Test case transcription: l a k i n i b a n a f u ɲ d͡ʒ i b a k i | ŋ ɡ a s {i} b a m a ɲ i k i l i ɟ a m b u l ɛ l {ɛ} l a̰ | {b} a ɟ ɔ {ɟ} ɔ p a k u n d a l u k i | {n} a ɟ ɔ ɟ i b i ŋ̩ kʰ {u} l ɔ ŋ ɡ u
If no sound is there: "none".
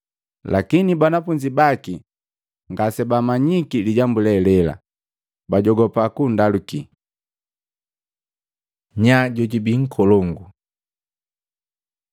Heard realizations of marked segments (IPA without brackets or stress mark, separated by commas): ɛ, ɛ, b, ɡ, ɲ, ɔ